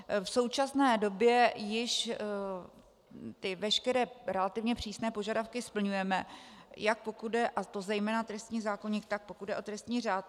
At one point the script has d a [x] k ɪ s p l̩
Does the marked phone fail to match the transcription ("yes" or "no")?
yes